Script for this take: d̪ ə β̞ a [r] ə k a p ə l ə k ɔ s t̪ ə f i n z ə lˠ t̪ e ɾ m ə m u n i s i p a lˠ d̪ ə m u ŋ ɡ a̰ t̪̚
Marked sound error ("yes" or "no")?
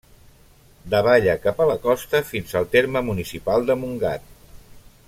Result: yes